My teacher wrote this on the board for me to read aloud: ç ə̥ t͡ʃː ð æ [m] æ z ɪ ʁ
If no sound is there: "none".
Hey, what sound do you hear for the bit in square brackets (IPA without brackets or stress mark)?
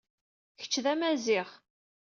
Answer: m